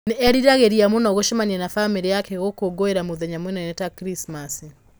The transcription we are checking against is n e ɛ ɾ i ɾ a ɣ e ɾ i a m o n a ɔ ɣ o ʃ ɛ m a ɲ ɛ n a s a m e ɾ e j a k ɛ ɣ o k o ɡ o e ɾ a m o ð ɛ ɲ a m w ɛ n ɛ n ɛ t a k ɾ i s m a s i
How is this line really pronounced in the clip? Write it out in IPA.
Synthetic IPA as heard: n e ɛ ɾ i ɾ a ɣ e ɾ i a m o n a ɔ ɣ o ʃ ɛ m a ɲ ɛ n a f a m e ɾ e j a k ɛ ɣ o k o ɡ o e ɾ a m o ð ɛ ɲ a m w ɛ n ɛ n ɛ t a k ɾ i s m a s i